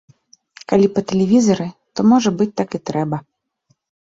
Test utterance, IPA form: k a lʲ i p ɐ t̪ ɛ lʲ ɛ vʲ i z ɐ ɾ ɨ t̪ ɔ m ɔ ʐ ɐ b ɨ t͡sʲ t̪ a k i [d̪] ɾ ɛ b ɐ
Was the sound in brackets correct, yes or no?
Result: no